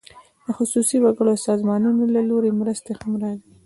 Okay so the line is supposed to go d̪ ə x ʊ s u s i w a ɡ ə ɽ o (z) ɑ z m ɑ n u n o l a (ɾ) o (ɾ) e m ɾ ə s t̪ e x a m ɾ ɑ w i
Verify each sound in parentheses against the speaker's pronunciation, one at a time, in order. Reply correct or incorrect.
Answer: incorrect: s, incorrect: l, correct

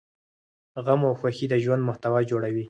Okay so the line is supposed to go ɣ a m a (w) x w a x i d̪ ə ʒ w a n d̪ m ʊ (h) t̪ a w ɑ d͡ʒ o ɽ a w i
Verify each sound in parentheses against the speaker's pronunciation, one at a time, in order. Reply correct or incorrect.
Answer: correct, correct

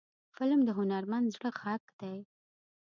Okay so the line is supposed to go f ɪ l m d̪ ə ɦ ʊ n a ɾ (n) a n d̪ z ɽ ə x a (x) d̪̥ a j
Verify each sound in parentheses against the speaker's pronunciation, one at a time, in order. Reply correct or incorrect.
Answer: incorrect: m, incorrect: k

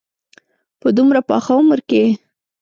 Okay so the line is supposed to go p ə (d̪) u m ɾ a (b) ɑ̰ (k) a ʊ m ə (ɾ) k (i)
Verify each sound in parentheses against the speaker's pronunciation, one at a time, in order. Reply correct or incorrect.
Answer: correct, incorrect: p, incorrect: x, correct, incorrect: e

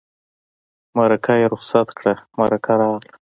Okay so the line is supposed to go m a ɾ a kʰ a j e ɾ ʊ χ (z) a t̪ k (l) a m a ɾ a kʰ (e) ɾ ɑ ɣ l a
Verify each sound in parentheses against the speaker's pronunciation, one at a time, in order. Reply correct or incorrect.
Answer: incorrect: s, incorrect: ɽ, incorrect: a

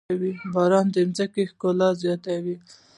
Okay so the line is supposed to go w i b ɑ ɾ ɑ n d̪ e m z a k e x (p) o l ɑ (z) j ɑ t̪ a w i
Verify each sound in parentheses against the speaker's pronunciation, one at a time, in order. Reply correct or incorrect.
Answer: incorrect: k, correct

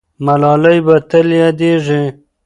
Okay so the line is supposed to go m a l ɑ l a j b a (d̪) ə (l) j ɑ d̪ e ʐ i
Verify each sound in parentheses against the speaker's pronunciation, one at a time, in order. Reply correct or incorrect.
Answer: incorrect: t̪, correct

